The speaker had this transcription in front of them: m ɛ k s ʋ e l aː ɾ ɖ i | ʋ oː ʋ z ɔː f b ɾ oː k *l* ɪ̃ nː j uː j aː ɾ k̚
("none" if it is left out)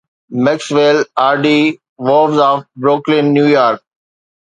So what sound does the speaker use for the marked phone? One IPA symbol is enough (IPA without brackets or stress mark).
l